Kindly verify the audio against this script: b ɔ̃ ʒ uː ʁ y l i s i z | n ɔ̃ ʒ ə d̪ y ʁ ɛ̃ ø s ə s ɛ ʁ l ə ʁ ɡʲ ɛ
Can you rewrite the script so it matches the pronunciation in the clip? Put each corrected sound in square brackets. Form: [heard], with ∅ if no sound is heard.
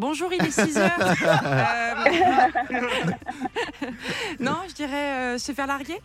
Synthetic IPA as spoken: b ɔ̃ ʒ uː ʁ [i] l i s i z | n ɔ̃ ʒ ə d̪ [i] ʁ [ɛ] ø s ə [f] ɛ ʁ l [a] ʁ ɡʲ [e]